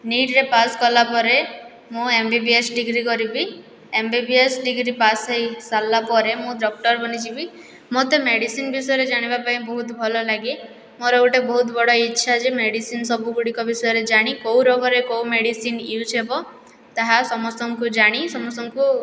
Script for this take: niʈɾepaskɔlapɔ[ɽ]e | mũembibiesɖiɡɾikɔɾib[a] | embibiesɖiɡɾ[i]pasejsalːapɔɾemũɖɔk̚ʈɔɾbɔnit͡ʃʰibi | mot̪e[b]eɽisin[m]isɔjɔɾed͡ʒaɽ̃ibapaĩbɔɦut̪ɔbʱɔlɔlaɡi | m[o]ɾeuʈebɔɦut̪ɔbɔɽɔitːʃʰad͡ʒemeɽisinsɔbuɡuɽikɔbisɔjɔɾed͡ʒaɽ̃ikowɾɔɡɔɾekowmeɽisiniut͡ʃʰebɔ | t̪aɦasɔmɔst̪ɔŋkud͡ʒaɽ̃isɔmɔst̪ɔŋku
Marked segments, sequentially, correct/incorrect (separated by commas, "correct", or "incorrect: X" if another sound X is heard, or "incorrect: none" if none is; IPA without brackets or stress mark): incorrect: ɾ, incorrect: i, correct, incorrect: m, incorrect: b, correct